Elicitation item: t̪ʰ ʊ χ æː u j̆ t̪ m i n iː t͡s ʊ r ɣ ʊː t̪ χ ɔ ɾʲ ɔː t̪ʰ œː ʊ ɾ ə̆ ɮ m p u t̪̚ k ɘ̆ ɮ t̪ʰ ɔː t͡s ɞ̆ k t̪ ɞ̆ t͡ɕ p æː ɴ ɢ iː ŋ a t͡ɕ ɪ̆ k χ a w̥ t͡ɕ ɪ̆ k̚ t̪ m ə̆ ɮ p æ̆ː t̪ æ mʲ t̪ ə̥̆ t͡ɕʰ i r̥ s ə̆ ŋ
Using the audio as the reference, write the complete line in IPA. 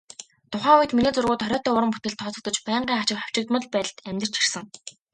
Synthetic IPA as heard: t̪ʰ ʊ χ æː u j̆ t̪ m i n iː t͡s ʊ r ɣ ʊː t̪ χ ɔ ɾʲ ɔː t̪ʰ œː ʊ ɾ ə̆ m p u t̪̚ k ɘ̆ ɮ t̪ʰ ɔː t͡s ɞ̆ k t̪ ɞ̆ t͡ɕ p æː ɴ ɢ iː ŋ a t͡ɕ ɪ̆ k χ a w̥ t͡ɕ ɪ̆ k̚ t̪ m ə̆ ɮ p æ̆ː t̪ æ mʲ t̪ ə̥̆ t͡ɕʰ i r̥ s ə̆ ŋ